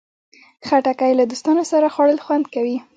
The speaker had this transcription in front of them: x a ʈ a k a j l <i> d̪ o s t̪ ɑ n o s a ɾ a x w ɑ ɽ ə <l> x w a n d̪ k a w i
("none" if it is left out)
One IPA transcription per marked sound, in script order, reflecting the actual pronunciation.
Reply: a, l

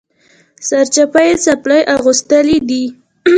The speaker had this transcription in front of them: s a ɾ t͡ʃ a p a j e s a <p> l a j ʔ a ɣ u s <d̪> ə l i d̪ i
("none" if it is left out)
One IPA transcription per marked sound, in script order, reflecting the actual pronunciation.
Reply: p, t̪

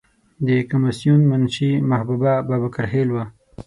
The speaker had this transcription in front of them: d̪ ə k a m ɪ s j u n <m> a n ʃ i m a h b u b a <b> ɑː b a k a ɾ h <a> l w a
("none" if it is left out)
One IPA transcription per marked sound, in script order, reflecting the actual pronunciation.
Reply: m, b, e

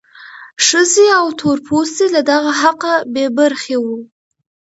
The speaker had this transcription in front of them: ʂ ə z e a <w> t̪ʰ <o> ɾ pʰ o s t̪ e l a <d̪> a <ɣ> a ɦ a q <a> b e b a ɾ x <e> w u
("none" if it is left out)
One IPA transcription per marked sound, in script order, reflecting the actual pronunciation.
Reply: w, o, d̪, ɣ, a, e

